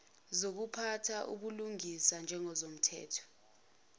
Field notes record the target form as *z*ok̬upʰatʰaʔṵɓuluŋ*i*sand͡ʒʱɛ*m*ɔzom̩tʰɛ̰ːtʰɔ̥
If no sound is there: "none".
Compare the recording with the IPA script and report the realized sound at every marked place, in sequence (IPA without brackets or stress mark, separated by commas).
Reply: z, i, ŋ